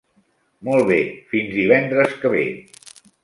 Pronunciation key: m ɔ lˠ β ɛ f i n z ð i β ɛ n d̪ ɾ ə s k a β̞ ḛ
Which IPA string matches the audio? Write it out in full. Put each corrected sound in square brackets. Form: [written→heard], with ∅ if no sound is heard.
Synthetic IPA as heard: m ɔ lˠ β [ɛ→e] f i n z ð i β ɛ n d̪ ɾ ə s k [a→ə] β̞ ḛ